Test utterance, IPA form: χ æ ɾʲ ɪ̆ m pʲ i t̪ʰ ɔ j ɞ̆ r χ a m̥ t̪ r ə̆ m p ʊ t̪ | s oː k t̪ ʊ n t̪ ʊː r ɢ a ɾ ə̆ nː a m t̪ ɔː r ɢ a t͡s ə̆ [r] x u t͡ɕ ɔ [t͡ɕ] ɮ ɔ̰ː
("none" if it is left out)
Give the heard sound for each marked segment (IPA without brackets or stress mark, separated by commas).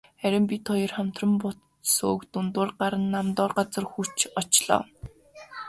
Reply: r, t͡ɕ